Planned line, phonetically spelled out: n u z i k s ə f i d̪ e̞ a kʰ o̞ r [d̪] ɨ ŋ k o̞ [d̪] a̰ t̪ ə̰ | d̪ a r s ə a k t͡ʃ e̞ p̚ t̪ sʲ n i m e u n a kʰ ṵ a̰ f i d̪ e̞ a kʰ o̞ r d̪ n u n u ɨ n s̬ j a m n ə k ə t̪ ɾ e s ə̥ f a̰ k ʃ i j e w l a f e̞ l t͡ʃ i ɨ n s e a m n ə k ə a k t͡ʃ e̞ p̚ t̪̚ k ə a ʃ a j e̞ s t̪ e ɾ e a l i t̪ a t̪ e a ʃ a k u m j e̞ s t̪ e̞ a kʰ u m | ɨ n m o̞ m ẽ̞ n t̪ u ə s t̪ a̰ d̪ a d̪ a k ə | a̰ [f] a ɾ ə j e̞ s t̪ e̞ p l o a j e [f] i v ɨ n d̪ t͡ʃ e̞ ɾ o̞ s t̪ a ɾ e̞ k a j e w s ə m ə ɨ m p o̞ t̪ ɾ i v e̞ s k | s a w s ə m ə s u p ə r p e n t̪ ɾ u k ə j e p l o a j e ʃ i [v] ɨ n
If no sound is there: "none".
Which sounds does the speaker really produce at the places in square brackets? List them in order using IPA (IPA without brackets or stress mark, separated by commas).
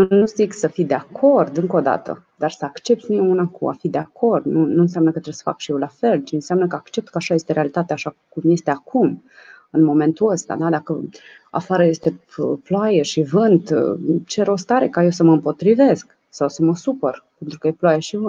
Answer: d̪, d̪, f, ʃ, v